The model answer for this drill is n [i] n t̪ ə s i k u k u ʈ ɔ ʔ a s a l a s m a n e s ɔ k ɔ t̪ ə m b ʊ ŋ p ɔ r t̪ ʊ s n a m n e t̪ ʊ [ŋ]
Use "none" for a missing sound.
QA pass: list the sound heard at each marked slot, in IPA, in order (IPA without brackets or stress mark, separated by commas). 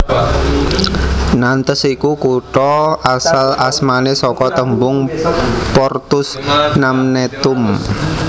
a, m